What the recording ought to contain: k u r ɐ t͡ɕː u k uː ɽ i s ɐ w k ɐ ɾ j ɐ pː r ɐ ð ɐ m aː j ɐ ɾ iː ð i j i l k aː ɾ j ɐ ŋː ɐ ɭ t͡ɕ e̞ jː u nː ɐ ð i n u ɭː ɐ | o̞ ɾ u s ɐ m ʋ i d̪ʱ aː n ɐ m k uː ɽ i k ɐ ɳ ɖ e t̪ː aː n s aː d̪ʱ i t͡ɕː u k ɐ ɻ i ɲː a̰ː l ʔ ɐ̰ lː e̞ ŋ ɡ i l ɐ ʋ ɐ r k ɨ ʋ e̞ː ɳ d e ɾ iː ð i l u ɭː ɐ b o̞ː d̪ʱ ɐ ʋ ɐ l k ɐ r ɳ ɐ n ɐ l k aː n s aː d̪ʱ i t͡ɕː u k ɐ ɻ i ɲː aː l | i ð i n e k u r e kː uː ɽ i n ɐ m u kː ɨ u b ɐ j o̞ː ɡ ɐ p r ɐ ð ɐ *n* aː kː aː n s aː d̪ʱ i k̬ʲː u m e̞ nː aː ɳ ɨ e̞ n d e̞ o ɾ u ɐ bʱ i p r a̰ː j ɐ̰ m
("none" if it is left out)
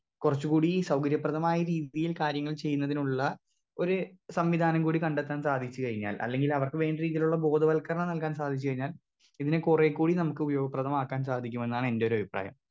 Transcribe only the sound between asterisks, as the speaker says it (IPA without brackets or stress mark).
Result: m